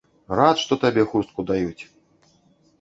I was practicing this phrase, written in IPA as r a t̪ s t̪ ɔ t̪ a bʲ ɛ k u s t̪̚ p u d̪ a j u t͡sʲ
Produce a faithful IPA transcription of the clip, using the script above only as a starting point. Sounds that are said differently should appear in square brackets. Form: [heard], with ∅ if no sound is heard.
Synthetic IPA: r a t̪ [ʂ] t̪ ɔ t̪ a bʲ ɛ [x] u s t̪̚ [k] u d̪ a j u t͡sʲ